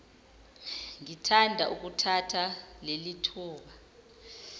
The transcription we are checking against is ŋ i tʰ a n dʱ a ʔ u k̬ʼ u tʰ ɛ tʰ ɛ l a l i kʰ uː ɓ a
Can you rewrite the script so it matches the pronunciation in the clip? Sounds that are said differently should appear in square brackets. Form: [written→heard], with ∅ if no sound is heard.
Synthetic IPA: ŋ i tʰ a n dʱ a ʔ u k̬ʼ u tʰ [ɛ→a] tʰ [ɛ→a] l [a→e] l i [kʰ→tʰ] uː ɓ a